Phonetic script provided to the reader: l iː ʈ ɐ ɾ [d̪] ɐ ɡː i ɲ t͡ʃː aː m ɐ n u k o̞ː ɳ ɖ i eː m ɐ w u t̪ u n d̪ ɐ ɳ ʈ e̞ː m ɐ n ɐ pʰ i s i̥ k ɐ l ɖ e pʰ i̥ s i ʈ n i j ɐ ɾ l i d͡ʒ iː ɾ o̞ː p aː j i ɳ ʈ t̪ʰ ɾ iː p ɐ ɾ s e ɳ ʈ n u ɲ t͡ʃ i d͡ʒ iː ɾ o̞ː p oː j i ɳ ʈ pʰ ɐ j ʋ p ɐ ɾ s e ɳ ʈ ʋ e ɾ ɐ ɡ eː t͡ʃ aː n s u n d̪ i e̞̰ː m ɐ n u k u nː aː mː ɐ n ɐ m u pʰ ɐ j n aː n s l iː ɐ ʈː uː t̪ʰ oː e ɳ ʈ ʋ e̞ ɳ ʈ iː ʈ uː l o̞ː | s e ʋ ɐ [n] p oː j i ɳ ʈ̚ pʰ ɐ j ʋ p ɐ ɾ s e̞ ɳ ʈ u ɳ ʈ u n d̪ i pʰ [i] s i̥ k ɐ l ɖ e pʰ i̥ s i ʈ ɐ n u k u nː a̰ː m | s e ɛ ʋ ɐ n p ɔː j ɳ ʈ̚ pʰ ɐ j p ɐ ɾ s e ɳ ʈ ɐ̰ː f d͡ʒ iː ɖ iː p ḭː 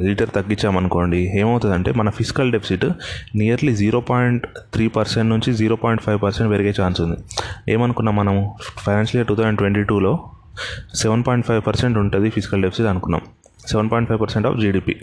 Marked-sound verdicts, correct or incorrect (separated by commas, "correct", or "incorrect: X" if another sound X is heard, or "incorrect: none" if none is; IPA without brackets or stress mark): incorrect: t̪, correct, correct